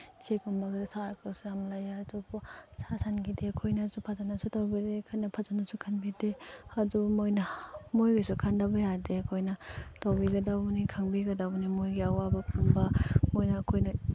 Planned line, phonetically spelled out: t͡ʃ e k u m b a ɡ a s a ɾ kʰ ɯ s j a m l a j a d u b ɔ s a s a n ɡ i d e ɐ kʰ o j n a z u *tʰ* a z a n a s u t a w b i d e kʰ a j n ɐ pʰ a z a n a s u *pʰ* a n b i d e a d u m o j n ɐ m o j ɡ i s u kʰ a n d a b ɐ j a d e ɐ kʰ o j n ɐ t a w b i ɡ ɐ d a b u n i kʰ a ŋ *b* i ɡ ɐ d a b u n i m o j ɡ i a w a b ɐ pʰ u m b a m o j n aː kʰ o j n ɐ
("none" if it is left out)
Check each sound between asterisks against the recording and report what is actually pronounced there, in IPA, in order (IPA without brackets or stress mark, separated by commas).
pʰ, kʰ, b